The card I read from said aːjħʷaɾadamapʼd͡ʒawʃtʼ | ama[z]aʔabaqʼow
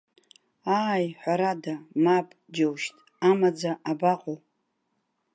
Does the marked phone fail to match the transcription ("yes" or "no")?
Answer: yes